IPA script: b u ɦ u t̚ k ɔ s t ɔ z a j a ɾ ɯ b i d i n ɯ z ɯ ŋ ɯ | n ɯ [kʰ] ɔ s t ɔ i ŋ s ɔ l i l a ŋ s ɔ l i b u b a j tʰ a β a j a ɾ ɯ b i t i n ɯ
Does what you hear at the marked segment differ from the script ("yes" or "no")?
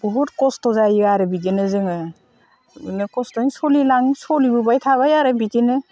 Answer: yes